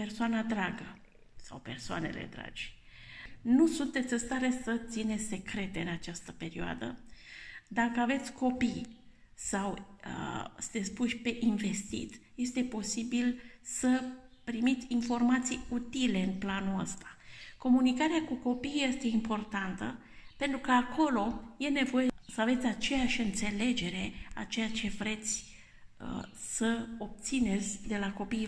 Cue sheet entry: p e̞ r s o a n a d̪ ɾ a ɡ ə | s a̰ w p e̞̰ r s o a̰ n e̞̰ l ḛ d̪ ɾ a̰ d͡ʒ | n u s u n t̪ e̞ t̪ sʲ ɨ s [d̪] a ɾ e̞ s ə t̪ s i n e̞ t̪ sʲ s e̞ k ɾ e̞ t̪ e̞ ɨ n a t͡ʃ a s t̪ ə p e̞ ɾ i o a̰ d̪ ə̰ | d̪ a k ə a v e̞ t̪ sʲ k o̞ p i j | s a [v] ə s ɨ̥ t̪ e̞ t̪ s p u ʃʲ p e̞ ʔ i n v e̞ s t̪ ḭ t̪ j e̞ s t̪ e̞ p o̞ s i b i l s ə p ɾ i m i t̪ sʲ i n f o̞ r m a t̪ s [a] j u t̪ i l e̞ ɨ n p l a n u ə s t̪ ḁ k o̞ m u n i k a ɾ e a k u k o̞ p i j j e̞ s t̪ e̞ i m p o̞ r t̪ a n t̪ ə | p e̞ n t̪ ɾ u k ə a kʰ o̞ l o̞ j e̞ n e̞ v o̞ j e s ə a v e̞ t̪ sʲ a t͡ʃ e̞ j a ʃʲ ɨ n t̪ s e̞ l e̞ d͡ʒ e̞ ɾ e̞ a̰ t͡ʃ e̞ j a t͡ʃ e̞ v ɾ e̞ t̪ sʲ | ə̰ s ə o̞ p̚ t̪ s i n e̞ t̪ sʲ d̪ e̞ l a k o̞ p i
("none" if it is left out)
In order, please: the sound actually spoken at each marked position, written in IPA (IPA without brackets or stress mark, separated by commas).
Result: t̪, w, i